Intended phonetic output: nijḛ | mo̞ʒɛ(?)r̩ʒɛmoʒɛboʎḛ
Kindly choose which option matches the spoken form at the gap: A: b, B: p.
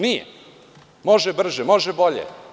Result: A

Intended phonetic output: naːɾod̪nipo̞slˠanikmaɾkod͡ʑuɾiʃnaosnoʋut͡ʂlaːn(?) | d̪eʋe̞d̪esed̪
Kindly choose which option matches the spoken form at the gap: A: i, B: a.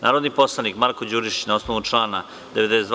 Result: B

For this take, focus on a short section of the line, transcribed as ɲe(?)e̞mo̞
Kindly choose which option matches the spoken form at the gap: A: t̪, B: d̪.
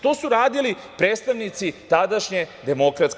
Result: B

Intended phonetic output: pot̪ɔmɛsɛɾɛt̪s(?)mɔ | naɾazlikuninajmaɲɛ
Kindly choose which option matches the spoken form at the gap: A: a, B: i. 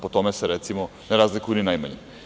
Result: B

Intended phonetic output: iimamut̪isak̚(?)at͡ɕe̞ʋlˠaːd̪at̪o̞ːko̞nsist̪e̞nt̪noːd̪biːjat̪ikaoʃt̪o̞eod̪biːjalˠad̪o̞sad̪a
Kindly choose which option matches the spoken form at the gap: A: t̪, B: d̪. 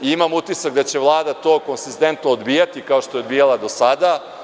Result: B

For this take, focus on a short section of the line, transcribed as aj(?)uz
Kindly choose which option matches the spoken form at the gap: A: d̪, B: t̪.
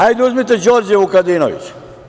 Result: A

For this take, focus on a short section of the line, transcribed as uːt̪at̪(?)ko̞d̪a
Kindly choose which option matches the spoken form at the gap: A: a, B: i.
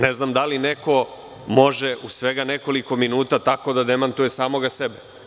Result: A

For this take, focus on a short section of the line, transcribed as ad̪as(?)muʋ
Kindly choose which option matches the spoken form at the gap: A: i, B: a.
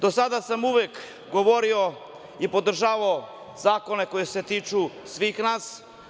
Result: B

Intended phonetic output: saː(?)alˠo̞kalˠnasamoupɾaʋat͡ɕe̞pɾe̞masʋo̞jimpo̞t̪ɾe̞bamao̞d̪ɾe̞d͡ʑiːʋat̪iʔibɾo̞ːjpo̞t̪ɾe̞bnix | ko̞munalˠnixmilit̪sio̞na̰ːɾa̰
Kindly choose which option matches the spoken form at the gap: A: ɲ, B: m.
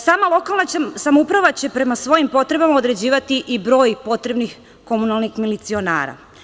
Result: B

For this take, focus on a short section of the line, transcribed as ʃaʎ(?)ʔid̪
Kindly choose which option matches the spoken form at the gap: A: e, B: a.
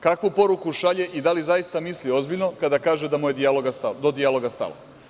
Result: A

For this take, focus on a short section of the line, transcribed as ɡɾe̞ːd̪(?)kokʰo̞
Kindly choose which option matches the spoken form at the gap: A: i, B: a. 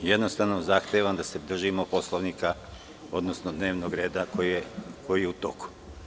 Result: B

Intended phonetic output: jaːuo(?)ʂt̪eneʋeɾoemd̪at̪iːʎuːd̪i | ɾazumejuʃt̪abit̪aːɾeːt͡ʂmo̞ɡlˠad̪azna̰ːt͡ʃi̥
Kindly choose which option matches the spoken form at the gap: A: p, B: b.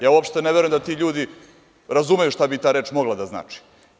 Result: A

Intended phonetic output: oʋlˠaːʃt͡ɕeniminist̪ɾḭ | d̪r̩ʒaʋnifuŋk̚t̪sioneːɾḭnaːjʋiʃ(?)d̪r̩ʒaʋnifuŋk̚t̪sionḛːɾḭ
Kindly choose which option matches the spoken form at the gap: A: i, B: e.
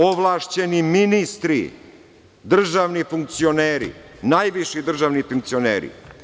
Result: A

